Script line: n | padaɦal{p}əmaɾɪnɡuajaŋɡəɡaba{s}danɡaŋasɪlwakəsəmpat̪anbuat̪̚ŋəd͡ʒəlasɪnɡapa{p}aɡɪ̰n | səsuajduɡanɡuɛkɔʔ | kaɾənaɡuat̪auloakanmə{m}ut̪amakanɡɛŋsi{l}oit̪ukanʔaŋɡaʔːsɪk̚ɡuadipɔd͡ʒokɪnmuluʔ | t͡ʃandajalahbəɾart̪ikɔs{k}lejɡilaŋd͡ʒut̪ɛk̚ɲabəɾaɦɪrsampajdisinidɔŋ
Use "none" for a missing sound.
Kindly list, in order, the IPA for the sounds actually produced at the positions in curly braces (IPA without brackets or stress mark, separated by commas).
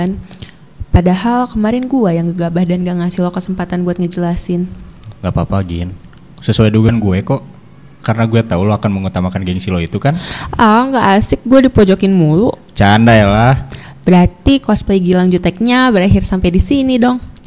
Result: k, h, p, ŋ, l, p